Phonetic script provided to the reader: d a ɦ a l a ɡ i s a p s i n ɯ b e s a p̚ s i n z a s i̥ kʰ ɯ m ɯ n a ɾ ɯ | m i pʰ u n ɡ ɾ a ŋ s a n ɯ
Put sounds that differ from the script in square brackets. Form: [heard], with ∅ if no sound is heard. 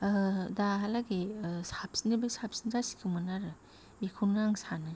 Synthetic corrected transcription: d a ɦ a l a ɡ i s a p s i n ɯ b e s a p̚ s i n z a s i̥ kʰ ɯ m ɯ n a ɾ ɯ | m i [kʰ] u n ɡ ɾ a ŋ s a n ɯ